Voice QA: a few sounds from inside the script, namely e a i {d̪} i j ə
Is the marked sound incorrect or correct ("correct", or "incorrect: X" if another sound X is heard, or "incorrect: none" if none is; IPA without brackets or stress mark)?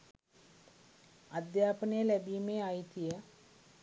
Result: incorrect: t̪